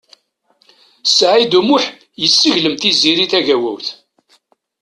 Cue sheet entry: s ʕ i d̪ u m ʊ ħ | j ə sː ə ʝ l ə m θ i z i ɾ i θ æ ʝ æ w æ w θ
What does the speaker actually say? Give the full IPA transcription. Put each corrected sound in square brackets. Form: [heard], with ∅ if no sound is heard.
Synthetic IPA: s ʕ i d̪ u m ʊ ħ | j ə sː ə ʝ l ə m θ i z i ɾ i θ æ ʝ æ w æ w θ

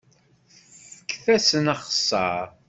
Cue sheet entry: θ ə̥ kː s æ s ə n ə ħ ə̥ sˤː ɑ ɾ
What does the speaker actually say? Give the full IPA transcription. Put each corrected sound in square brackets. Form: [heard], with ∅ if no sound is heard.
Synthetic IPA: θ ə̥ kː [θ] æ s ə n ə [χ] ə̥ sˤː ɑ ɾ

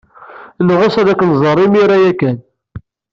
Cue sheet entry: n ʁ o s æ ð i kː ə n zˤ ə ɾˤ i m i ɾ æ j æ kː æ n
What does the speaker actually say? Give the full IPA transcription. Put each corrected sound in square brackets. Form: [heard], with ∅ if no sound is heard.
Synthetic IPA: n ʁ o s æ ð [æ] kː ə n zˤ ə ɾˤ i m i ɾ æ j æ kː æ n

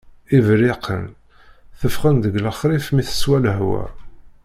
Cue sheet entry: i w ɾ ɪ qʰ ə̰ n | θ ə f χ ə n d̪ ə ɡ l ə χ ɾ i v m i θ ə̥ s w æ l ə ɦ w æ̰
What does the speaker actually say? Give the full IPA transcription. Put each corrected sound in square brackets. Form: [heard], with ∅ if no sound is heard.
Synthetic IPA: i [v] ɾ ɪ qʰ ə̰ n | θ ə f χ ə n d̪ ə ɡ l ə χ ɾ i [f] m i θ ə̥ s w æ l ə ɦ w æ̰

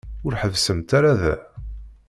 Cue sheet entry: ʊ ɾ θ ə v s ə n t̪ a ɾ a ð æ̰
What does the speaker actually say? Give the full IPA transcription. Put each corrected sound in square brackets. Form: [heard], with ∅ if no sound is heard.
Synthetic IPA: ʊ ɾ [ħ] ə v s ə [m] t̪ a ɾ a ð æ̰

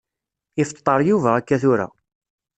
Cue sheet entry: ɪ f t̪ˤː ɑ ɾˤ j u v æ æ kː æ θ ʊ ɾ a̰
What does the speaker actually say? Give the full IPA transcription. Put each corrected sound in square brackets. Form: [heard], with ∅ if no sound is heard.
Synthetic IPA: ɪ f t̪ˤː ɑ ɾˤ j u v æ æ kː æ θ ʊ ɾ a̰

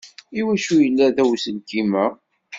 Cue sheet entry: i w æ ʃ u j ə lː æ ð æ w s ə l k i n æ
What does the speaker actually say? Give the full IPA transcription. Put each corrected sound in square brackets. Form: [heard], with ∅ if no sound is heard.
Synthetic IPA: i w æ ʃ u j ə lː æ ð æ w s ə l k i [m] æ

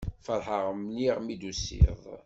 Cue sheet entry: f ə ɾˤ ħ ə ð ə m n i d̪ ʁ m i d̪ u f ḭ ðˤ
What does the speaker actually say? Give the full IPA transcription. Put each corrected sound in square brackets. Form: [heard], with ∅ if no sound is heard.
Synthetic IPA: f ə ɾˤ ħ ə [ʁ] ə m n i [∅] ʁ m i d̪ u [s] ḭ ðˤ

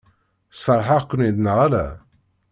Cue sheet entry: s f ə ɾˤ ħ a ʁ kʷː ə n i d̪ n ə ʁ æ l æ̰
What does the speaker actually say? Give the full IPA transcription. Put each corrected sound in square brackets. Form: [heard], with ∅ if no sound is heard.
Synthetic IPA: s f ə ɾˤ ħ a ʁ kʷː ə n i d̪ n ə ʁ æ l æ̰

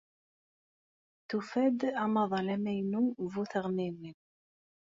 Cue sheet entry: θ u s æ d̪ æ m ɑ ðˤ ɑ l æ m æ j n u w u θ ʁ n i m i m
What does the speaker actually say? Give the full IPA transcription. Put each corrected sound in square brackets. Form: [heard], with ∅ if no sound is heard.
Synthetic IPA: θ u [f] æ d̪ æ m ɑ ðˤ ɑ l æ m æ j n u [v] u θ ʁ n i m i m

